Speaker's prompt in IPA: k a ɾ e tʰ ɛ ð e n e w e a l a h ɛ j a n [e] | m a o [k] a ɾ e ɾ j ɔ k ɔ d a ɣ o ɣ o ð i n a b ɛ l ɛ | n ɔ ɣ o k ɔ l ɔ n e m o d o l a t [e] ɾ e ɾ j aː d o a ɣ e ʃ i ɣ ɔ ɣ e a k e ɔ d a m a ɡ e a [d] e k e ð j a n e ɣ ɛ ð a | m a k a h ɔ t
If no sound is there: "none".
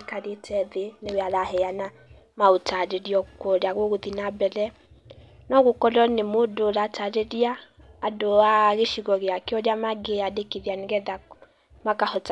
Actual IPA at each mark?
a, t, a, d

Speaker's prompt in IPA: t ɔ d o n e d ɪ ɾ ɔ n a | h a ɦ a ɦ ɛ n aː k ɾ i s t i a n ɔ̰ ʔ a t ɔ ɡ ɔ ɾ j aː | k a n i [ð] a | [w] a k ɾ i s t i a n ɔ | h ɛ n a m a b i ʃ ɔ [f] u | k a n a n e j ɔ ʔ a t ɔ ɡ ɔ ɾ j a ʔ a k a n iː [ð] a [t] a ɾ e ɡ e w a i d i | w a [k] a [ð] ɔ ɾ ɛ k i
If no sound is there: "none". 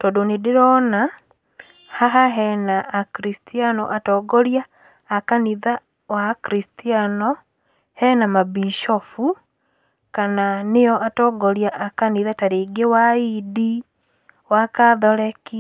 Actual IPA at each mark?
ð, w, f, ð, t, k, ð

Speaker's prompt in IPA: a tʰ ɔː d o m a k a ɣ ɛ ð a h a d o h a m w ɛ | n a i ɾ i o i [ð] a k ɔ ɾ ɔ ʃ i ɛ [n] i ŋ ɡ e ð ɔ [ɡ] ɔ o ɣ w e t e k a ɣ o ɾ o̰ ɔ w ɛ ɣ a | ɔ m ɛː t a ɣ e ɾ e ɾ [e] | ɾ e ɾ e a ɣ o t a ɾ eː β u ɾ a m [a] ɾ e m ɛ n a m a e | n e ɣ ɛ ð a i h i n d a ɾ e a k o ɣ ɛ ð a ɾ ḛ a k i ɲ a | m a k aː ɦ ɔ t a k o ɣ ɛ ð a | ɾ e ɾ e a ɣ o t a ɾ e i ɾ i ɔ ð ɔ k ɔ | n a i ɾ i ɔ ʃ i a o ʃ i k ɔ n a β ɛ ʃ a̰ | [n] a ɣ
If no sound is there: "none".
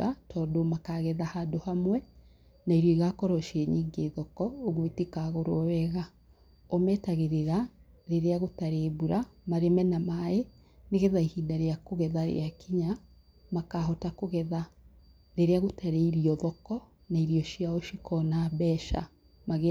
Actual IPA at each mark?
ɣ, ɲ, k, a, a, m

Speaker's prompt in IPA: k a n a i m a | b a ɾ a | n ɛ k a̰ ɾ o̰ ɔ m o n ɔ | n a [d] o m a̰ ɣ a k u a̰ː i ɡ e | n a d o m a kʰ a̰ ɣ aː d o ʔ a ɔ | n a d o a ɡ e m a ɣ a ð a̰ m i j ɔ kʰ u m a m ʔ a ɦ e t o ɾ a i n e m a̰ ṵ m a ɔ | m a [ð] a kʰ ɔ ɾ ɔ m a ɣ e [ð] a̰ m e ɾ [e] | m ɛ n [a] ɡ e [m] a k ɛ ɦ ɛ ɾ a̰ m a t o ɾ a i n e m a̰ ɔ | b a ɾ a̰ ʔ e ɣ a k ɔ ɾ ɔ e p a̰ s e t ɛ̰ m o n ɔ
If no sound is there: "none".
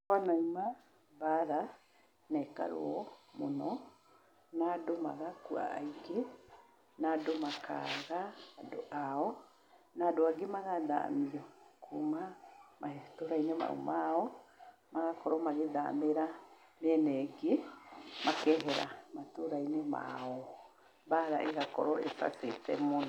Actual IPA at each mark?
d, ɣ, ð, a, ɛ, m

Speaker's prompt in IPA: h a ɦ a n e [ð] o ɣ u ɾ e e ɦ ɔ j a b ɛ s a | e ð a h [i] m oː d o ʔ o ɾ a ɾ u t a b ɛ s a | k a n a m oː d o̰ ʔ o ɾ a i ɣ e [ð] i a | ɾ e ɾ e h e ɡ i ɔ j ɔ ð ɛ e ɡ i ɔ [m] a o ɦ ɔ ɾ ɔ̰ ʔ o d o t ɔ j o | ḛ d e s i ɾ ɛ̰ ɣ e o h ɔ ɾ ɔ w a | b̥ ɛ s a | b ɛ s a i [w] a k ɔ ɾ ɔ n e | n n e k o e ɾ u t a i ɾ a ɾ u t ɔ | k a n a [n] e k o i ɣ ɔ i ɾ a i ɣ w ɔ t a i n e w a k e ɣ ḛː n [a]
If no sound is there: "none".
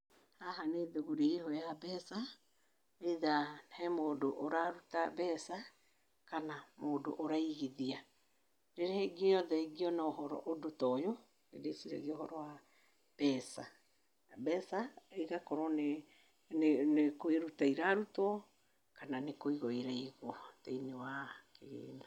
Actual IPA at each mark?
ð, ɛ, ð, n, ɣ, n, a

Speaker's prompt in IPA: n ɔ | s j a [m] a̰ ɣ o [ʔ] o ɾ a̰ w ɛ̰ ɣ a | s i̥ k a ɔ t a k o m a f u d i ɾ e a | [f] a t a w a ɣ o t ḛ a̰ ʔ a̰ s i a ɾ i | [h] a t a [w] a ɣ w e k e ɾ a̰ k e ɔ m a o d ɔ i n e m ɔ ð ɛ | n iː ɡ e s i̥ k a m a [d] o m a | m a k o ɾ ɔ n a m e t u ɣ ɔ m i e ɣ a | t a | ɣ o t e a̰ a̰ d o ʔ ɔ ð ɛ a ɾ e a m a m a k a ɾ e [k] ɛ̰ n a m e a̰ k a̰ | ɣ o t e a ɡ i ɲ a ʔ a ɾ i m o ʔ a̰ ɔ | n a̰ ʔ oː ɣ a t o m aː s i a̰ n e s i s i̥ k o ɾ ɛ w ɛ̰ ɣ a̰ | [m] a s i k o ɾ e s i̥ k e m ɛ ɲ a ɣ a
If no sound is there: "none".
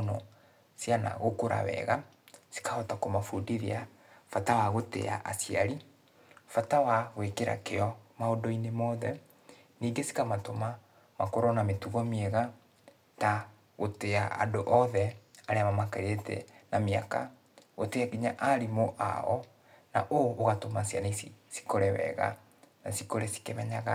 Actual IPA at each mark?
n, k, f, f, w, t, t, n

